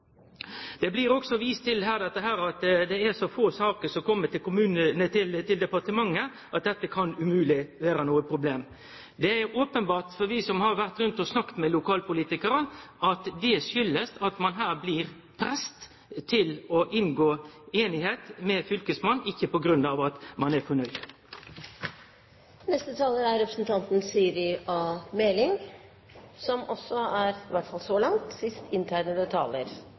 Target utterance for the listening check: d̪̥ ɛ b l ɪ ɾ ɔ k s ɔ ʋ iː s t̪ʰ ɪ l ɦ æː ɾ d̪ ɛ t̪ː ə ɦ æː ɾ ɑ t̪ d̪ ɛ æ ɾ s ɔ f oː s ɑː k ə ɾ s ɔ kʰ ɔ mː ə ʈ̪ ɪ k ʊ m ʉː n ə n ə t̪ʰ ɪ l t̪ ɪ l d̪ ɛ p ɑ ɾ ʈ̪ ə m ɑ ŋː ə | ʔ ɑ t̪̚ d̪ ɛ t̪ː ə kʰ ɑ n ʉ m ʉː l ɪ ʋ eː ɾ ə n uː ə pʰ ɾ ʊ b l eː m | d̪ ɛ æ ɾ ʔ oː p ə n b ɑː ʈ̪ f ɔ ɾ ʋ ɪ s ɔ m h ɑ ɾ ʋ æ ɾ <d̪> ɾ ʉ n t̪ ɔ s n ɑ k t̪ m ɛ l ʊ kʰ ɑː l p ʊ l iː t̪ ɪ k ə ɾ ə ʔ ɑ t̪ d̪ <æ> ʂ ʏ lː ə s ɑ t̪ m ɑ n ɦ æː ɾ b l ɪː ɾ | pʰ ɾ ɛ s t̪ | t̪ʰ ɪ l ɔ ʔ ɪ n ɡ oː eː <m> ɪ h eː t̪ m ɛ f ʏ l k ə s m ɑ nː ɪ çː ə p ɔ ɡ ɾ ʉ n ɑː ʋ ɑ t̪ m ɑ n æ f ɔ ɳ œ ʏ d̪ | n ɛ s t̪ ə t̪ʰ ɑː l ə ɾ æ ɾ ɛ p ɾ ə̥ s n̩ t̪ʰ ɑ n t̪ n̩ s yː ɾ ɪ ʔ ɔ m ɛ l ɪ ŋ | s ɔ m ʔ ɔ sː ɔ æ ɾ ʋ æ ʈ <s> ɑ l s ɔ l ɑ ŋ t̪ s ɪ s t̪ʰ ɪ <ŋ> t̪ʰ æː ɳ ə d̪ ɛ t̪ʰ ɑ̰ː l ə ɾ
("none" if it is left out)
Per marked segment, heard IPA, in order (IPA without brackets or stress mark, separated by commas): t̪, ɛ, n, f, n